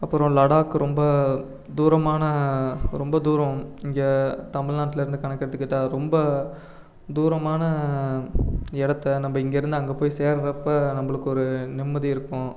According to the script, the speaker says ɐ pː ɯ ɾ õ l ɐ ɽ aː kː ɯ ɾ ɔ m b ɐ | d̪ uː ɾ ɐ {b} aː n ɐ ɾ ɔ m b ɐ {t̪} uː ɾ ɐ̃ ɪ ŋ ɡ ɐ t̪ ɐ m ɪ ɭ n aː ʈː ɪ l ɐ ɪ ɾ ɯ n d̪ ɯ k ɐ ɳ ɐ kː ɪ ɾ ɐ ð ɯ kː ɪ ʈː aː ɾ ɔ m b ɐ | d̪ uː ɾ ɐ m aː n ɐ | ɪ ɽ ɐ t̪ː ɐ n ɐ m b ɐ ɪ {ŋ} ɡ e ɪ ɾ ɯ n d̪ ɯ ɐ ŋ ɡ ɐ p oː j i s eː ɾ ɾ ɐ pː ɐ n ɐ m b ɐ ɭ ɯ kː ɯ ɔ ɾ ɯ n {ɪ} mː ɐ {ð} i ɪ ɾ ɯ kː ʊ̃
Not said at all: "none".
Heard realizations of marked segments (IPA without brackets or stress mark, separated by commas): m, d̪, ŋ, ɪ, ð